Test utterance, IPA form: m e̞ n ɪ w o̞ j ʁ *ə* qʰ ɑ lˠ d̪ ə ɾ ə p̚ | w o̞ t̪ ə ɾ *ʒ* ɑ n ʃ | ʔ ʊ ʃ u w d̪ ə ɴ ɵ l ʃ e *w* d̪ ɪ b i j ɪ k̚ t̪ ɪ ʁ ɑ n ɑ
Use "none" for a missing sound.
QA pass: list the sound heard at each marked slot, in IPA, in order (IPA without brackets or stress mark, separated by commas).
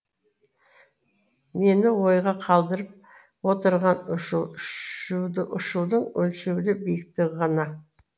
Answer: ɑ, ʁ, w